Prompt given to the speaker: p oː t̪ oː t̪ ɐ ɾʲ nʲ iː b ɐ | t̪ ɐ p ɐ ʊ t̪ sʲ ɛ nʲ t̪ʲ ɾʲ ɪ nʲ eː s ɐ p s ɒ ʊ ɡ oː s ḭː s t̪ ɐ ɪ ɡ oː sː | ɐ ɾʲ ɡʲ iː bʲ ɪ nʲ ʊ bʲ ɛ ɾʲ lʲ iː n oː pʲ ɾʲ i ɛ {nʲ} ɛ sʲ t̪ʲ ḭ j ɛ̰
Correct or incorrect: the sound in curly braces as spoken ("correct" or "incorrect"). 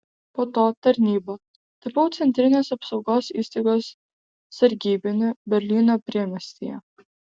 incorrect